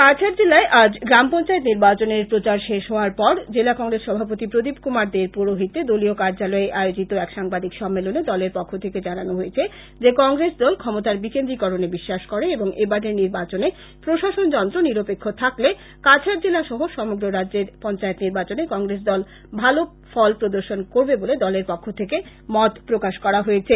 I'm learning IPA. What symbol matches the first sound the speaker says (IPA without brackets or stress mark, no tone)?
k